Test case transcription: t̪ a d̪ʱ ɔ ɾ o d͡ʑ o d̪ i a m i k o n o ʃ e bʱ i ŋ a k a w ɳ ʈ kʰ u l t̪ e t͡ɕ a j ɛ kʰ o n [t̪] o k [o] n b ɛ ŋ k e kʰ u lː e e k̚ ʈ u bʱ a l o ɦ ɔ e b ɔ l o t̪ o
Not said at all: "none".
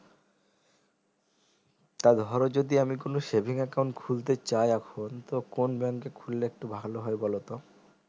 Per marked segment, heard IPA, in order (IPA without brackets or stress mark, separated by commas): t̪, o